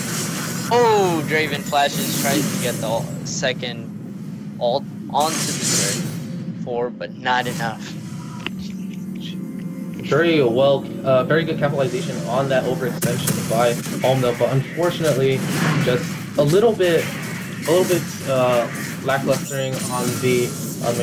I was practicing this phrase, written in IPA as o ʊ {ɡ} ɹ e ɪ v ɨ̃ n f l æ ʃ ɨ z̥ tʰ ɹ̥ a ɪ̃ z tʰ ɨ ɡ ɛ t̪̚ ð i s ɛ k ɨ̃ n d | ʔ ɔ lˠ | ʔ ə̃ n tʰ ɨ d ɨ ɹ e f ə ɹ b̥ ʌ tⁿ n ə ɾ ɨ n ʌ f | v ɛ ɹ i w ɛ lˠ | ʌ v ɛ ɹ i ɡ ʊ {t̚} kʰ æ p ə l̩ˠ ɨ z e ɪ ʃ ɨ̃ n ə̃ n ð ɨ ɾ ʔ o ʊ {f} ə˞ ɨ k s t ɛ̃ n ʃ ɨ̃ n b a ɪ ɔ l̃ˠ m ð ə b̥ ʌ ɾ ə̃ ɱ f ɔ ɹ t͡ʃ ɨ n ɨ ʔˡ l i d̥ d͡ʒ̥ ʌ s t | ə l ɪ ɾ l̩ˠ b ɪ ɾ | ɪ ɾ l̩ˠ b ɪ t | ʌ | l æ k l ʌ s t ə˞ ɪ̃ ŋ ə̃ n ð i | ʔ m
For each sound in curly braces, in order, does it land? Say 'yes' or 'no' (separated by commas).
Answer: no, no, no